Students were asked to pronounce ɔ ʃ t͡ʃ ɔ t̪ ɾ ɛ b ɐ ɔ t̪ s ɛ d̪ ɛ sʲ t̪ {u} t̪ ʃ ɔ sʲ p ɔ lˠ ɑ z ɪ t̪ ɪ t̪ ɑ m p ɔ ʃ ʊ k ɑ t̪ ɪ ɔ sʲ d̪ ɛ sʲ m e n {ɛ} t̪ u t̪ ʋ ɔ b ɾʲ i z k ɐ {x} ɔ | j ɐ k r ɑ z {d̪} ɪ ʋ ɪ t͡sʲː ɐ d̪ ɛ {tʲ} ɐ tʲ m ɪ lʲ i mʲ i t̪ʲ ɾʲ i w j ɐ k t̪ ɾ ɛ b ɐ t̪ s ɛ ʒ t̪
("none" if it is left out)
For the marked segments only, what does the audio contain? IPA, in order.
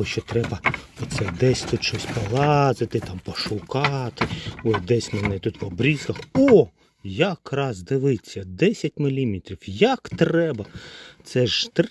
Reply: u, ɛ, x, d̪, sʲ

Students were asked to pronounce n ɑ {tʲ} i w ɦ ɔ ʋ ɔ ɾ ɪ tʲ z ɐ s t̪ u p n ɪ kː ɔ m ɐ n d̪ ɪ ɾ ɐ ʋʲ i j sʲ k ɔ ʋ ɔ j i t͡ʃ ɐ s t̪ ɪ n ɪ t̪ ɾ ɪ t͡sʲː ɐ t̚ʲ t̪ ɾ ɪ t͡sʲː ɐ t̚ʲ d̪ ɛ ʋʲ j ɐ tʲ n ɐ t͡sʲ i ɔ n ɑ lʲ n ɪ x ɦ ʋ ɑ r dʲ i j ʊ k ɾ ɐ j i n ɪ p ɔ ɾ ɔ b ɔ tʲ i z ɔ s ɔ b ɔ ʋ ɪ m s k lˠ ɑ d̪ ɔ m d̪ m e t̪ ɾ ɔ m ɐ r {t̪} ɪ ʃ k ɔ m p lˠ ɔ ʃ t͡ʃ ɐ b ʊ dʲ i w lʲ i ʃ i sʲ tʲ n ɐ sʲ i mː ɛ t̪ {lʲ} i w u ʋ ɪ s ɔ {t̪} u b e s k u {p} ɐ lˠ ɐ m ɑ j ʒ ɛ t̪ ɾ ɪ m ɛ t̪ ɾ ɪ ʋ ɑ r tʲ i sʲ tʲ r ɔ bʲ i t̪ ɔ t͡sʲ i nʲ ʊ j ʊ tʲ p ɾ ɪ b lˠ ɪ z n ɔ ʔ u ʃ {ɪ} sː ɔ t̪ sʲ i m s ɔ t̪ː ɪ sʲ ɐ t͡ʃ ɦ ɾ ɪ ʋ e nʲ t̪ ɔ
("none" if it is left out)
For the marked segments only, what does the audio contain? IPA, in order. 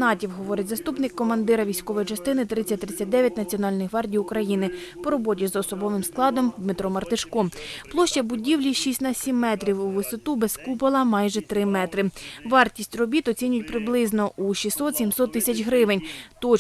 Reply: tʲ, t̪, ɾʲ, t̪, p, i

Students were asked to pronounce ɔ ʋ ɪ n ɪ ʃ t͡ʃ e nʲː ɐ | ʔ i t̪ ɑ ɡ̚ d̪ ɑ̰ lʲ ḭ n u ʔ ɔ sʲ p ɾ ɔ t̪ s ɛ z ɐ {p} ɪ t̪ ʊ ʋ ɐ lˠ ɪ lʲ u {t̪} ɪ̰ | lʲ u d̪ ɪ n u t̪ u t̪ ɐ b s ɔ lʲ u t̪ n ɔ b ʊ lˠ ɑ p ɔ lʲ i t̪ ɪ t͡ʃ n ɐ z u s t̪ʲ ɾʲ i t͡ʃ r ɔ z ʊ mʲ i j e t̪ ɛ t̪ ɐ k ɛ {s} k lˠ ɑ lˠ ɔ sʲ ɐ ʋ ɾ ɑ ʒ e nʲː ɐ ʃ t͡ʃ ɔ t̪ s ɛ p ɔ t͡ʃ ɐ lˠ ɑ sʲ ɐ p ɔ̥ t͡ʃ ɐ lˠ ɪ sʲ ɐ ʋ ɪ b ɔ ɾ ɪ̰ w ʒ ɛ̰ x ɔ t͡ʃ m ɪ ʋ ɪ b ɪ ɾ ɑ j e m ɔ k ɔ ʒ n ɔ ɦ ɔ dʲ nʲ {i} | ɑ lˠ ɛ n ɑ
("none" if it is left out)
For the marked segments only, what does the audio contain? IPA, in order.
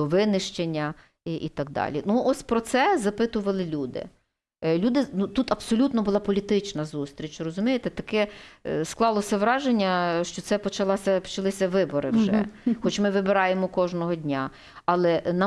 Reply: p, d̪, s, a

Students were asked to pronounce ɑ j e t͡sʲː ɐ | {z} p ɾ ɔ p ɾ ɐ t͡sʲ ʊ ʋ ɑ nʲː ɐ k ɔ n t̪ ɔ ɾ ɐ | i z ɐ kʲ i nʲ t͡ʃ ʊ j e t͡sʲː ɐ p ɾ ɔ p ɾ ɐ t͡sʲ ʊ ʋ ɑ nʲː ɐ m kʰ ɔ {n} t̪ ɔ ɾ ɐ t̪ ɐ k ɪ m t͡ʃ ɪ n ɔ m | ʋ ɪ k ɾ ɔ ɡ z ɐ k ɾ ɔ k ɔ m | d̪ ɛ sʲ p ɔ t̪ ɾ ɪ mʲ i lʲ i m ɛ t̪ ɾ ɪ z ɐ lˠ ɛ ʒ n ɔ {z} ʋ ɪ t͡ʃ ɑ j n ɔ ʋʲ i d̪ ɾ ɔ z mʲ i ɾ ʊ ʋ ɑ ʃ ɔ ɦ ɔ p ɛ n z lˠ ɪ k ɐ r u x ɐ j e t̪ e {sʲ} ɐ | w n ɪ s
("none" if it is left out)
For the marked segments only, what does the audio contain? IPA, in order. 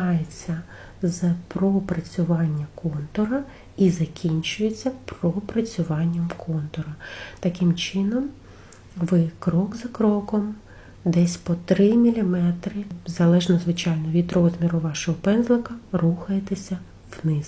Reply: z, n, z, sʲ

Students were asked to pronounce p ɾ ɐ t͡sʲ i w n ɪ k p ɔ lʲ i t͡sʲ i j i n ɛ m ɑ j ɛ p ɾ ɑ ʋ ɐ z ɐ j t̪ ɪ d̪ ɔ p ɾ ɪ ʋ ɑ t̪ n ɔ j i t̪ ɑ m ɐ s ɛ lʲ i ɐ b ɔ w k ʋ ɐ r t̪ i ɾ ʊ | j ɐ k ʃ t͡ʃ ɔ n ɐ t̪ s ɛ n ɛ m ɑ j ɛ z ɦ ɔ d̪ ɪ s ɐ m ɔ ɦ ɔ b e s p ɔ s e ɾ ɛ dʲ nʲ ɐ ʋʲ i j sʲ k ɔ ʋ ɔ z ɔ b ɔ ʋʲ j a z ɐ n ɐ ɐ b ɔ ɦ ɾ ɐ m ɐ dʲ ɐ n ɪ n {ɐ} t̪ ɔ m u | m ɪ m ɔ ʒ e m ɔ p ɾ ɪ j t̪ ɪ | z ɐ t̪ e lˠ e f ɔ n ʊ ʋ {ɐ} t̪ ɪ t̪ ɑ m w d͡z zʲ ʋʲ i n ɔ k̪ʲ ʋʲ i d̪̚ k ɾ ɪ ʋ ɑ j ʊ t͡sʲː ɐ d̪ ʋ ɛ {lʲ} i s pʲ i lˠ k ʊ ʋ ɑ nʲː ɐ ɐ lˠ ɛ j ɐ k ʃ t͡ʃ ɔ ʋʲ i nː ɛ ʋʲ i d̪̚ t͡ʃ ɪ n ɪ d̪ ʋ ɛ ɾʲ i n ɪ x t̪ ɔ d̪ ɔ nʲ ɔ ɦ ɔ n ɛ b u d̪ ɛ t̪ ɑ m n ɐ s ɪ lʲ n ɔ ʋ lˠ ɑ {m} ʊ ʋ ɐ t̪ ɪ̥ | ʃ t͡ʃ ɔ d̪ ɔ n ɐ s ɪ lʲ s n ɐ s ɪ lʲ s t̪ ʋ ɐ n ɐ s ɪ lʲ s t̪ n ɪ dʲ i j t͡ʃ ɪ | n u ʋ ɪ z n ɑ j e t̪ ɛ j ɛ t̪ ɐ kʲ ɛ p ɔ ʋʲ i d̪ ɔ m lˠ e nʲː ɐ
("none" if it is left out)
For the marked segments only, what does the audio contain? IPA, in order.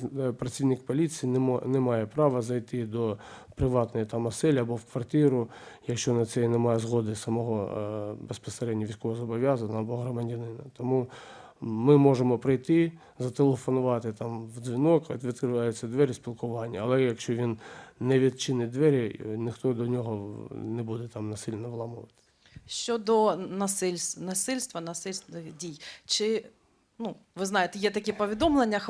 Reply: ɐ, ɑ, ɾʲ, m

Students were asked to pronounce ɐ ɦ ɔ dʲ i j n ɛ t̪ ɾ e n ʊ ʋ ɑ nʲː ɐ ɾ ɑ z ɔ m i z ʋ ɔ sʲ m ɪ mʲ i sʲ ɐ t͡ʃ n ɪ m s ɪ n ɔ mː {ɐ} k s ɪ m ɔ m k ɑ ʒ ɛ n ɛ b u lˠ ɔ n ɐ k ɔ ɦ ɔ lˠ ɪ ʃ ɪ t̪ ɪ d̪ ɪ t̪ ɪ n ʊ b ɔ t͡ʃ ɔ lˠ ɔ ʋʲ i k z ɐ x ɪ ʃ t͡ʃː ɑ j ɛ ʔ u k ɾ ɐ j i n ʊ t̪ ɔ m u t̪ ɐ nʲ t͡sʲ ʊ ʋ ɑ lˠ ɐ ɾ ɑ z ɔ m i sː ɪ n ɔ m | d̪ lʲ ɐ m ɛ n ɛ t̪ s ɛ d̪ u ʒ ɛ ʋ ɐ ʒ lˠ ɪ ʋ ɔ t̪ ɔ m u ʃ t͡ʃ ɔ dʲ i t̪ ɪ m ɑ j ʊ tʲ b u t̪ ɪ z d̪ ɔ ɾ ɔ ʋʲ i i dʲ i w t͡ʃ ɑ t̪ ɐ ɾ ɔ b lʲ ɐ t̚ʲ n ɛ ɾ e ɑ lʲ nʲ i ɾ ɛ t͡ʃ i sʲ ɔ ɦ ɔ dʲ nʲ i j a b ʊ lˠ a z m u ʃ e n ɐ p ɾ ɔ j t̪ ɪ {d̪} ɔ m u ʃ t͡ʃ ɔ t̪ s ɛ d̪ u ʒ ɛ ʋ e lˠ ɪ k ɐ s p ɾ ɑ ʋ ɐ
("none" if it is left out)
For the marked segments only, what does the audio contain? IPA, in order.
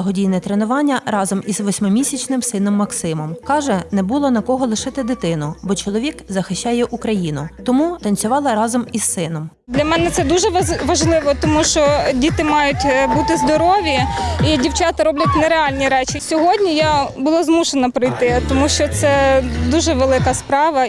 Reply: ɐ, t̪

